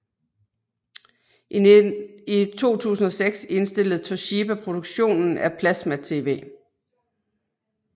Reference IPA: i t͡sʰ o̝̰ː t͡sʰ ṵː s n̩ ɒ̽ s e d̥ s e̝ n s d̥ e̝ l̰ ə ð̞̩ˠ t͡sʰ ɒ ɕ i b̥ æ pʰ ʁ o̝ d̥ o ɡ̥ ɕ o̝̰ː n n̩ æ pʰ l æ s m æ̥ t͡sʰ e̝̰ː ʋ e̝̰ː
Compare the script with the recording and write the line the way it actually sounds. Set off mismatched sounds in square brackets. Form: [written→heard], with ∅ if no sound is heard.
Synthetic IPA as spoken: i t͡sʰ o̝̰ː t͡sʰ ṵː s n̩ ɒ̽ s e [d̥→ɡ̥] s e̝ n s d̥ e̝ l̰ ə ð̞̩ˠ t͡sʰ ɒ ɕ i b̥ æ pʰ ʁ o̝ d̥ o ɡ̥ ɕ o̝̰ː n n̩ æ pʰ l æ s m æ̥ t͡sʰ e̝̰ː ʋ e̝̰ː